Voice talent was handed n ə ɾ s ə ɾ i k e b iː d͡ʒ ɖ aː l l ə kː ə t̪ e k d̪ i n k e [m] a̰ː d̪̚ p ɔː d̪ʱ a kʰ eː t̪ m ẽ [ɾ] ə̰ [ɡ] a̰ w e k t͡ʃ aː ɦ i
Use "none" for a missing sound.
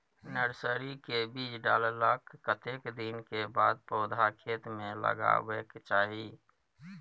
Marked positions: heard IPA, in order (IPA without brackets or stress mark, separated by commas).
b, l, ɡ